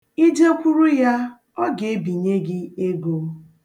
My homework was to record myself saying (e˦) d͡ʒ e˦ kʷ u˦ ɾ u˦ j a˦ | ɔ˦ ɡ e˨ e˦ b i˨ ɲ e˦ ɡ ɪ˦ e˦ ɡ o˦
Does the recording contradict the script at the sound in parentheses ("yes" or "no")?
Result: yes